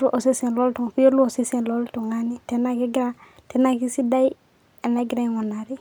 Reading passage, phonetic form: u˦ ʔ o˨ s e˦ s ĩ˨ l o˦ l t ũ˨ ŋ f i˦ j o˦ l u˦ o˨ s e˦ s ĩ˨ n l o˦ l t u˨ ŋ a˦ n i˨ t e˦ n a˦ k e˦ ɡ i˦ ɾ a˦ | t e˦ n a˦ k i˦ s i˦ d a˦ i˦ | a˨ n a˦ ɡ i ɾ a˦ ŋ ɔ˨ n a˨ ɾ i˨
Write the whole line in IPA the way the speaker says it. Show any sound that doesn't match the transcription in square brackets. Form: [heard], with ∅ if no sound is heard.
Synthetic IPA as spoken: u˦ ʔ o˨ s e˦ s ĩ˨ l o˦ l t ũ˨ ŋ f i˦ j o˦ l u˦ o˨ s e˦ s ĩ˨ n l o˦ l t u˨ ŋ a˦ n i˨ t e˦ n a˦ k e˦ ɡ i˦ ɾ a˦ | t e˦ n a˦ k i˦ s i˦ d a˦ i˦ | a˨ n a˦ ɡ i ɾ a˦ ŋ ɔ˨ n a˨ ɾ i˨